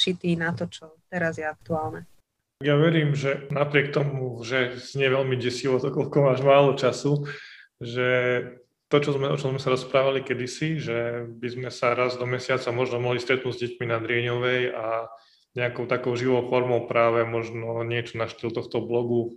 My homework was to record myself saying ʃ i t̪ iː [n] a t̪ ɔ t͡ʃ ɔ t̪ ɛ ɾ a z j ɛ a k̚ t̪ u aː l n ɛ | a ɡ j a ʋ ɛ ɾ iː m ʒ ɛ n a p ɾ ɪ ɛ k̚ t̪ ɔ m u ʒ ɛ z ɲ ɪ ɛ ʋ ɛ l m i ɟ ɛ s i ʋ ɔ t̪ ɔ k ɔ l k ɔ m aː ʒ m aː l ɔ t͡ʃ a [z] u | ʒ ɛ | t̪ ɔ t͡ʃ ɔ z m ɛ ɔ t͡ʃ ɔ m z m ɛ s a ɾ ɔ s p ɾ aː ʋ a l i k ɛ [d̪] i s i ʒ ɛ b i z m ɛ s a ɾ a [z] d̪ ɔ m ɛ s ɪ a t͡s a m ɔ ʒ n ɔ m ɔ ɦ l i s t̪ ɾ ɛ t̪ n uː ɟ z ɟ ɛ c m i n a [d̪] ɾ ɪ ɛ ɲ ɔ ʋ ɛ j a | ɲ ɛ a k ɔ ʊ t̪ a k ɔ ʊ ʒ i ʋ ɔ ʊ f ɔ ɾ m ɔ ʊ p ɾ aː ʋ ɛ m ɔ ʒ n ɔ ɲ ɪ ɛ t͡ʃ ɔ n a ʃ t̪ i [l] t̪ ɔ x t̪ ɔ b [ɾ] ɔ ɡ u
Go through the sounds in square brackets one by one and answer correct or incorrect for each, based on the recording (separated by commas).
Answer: correct, incorrect, correct, correct, correct, correct, incorrect